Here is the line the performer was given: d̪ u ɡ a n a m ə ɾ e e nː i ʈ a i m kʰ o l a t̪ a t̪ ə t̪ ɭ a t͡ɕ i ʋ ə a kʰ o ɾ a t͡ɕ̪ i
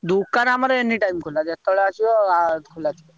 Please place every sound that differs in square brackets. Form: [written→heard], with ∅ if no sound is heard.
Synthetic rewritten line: d̪ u [ɡ→k] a n a m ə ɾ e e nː i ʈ a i m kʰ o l a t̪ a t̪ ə [t̪→∅] ɭ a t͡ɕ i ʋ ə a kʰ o [ɾ→l] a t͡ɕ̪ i